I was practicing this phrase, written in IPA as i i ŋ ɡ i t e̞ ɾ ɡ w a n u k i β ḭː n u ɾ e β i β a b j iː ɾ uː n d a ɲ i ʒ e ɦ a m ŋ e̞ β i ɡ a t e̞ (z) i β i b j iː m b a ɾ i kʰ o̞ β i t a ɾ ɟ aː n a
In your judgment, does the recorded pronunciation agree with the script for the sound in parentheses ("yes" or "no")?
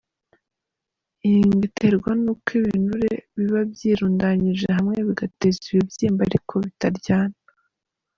yes